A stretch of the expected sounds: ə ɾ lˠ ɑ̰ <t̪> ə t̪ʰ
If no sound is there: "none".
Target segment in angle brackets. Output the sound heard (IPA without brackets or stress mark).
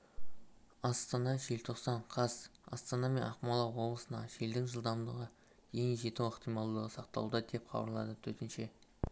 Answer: d̪